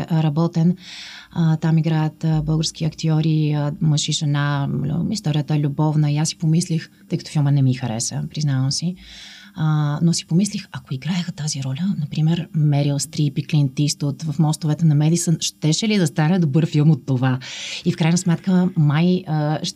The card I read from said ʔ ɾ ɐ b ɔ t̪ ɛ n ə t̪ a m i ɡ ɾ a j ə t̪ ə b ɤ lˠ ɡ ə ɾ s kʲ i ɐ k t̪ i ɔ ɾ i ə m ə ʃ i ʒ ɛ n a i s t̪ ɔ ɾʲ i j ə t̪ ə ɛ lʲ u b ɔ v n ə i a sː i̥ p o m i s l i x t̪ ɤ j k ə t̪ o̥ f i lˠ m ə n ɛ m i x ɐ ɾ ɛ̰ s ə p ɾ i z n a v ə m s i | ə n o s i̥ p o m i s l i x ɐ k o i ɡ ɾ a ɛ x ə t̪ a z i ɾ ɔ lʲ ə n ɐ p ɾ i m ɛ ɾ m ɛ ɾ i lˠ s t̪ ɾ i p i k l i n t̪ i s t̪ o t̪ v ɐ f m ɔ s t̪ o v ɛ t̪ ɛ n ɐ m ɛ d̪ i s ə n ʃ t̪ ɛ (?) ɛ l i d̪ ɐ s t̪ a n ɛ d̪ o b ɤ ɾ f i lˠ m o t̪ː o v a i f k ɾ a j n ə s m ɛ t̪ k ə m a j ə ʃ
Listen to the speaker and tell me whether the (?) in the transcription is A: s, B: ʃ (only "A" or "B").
B